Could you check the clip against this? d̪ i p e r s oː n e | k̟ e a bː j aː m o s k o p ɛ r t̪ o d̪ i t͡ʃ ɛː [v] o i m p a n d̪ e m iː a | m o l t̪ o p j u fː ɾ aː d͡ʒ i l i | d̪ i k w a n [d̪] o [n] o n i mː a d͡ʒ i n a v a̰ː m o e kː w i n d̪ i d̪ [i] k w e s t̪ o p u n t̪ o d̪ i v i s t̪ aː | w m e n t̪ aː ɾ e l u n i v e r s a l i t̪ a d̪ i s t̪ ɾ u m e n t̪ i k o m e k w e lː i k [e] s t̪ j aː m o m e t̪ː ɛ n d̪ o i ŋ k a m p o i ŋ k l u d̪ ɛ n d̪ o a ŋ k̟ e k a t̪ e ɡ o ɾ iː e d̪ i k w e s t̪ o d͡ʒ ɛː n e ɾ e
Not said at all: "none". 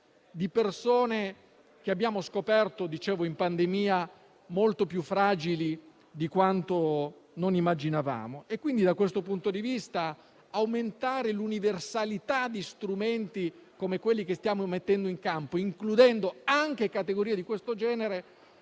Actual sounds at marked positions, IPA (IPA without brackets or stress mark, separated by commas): v, t̪, n, a, e